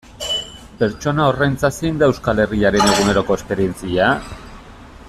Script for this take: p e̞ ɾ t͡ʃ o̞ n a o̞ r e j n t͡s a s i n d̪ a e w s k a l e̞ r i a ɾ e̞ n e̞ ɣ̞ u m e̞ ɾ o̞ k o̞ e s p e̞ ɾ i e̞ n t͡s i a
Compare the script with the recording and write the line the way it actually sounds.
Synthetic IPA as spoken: p e̞ ɾ t͡ʃ o̞ n a o̞ r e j n t͡s a s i n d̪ a e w s k a l e̞ r i a ɾ e̞ n e̞ ɣ̞ u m e̞ ɾ o̞ k o̞ e s p e̞ ɾ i e̞ n t͡s i a